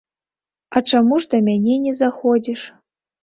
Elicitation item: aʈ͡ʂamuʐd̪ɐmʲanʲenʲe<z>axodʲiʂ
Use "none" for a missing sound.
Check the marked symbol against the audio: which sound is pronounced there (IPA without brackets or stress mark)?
z